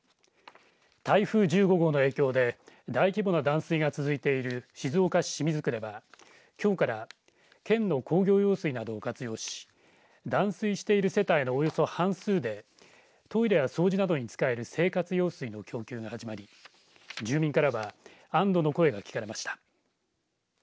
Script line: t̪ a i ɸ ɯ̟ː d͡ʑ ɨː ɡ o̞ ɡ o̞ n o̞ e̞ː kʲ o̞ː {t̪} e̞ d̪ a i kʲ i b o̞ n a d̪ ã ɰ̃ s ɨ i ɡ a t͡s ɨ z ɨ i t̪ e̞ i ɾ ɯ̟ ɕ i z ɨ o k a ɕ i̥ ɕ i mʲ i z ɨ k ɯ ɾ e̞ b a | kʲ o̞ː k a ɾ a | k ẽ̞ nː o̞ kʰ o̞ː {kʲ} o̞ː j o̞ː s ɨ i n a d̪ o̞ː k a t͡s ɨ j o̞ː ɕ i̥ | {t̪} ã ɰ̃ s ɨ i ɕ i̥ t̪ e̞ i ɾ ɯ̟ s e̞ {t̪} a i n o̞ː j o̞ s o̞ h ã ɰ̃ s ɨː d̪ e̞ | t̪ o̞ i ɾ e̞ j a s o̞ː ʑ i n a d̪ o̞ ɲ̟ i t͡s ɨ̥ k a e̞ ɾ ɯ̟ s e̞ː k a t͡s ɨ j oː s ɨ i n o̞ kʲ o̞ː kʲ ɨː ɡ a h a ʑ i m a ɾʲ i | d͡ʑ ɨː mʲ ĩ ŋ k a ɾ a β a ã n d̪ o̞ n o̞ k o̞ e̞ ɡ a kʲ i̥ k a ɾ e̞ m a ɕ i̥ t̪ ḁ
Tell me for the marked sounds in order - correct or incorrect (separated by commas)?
incorrect, incorrect, incorrect, correct